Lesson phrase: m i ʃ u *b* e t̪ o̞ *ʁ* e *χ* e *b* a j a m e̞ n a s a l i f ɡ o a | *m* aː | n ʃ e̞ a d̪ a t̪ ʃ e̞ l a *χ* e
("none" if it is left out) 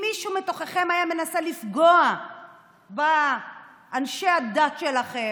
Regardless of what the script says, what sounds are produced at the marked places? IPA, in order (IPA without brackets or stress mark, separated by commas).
m, χ, χ, m, b, χ